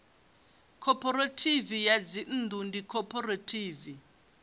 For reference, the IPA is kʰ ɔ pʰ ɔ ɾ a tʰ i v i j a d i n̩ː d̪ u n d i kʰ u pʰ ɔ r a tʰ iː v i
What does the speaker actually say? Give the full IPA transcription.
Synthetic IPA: kʰ ɔ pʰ ɔ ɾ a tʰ i v i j a d͡z i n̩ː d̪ u n d i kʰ ɔ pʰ ɔ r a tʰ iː v i